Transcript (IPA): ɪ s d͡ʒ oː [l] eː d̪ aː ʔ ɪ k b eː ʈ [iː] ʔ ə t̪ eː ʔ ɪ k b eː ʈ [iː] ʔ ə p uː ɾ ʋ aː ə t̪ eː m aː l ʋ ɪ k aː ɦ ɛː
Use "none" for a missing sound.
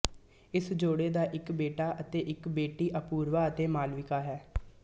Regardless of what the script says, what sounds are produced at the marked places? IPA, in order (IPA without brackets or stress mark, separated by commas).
ɽ, aː, iː